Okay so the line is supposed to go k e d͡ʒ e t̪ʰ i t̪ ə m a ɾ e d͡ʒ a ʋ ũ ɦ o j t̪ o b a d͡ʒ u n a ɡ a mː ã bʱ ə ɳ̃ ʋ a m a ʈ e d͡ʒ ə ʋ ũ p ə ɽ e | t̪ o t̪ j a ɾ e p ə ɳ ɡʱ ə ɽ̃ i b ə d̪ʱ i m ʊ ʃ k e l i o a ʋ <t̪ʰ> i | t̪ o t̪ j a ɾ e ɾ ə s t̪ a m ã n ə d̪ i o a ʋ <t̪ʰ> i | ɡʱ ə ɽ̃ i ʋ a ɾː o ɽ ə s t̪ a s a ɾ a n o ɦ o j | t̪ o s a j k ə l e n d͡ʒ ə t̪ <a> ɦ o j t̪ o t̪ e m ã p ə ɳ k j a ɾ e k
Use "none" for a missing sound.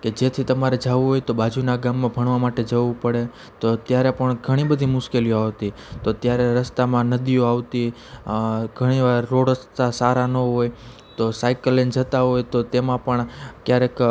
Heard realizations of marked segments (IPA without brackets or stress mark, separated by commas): t̪, t̪, a